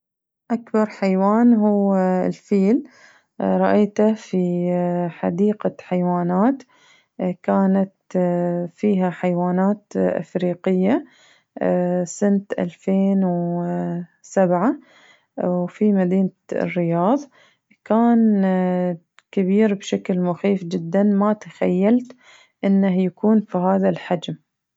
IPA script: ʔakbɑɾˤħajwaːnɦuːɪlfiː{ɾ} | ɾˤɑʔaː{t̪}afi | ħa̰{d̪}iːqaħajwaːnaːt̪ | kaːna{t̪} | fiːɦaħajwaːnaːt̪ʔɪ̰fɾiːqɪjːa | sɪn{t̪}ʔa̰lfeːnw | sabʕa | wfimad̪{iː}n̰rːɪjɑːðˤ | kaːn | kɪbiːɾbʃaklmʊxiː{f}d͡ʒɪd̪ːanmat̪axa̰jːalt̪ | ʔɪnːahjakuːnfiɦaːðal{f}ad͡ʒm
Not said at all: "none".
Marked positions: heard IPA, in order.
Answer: l, t̪, d̪, t̪, t̪, iː, f, ħ

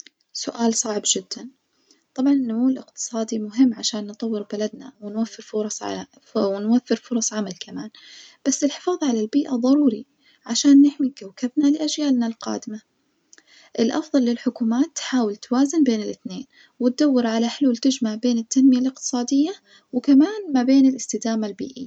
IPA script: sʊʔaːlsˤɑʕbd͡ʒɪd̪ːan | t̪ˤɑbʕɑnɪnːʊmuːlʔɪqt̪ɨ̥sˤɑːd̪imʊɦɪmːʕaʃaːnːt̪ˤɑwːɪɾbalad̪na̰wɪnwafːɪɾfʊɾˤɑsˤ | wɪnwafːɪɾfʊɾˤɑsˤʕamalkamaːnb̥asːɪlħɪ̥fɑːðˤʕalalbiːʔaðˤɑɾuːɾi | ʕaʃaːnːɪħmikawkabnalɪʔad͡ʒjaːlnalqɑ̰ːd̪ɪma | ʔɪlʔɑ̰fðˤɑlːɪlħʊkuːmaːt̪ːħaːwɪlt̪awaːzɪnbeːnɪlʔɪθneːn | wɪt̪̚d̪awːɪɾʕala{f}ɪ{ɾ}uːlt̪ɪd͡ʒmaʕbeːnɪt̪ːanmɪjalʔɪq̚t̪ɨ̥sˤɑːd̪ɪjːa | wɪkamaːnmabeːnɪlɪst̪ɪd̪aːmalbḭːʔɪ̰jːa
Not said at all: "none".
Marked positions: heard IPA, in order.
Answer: ħ, l

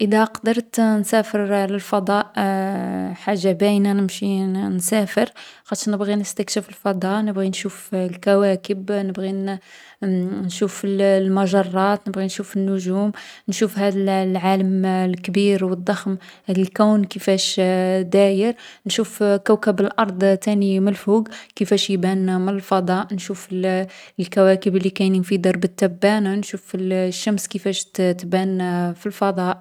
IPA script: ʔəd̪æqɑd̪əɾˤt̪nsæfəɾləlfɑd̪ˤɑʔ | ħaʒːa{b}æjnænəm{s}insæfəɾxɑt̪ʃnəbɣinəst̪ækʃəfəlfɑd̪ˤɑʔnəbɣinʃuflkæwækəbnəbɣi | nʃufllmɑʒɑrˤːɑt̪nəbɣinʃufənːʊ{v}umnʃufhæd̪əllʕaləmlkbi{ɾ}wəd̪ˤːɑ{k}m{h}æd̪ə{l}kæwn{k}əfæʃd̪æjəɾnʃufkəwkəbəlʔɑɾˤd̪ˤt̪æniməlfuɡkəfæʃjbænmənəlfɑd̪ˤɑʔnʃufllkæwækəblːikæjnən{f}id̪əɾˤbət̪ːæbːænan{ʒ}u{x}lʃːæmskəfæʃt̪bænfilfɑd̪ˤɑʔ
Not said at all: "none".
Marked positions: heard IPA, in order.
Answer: b, ʃ, ʒ, ɾ, x, h, l, k, f, ʃ, f

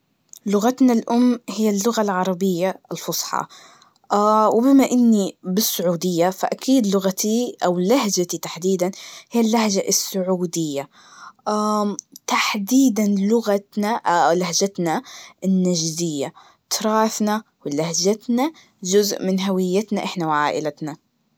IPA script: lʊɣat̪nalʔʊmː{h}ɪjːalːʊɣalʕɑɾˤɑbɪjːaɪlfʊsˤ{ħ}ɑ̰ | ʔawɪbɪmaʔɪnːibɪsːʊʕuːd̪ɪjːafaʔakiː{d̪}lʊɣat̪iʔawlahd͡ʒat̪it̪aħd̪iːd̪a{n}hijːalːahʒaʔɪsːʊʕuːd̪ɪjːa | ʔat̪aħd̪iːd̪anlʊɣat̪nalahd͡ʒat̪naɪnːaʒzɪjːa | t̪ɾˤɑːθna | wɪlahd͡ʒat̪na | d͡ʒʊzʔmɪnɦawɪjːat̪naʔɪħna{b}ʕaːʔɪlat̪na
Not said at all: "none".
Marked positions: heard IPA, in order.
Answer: h, ħ, d̪, n, w

